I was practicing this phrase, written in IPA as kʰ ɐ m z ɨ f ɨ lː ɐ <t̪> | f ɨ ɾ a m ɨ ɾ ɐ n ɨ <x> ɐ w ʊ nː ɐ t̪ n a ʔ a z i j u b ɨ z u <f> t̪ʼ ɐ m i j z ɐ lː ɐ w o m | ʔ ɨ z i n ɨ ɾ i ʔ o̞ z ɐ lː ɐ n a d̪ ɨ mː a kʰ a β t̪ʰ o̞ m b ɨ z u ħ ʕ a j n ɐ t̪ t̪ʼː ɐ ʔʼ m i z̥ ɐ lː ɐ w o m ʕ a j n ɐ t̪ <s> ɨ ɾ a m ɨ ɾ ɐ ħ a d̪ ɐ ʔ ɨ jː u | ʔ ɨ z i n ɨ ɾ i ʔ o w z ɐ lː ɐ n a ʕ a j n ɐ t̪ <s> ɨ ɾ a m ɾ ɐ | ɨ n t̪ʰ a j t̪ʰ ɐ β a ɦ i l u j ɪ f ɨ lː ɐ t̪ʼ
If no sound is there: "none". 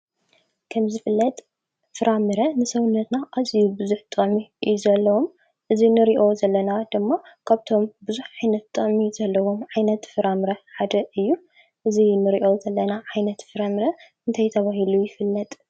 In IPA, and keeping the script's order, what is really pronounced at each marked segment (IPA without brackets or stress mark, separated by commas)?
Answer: t̪ʼ, s, ħ, f, f